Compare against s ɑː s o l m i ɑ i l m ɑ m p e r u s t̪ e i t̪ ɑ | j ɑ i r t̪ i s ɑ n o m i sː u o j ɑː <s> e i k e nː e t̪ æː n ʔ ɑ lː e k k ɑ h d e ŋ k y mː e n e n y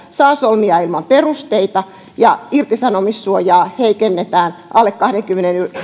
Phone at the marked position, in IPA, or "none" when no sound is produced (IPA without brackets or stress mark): h